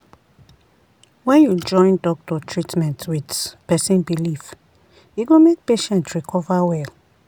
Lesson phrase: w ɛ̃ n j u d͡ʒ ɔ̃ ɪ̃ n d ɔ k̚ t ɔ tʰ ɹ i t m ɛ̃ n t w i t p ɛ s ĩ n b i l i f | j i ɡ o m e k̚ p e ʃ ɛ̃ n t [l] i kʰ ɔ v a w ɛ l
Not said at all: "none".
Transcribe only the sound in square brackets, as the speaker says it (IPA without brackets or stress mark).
ɹ